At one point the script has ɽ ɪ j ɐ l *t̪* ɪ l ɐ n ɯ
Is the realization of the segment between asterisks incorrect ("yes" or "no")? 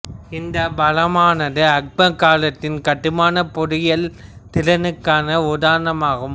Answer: no